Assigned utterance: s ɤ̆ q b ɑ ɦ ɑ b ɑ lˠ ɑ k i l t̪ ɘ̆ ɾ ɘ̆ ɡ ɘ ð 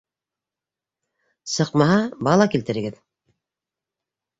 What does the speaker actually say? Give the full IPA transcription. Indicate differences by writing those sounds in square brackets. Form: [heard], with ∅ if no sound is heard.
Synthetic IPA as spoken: s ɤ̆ q [m] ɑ ɦ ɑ b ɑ lˠ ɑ k i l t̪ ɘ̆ ɾ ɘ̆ ɡ ɘ ð